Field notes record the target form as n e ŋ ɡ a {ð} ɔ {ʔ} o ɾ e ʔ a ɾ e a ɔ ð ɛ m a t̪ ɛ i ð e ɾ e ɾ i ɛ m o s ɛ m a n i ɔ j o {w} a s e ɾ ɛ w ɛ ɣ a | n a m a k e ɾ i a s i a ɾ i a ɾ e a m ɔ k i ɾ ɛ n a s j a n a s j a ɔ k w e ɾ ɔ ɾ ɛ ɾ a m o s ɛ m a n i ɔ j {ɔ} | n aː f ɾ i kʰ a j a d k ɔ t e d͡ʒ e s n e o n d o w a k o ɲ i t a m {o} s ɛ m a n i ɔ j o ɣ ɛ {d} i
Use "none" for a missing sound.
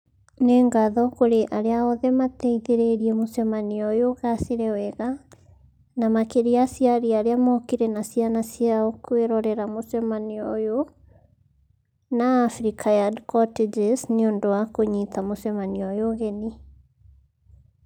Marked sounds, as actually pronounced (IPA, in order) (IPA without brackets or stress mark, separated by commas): ð, k, ɣ, o, o, n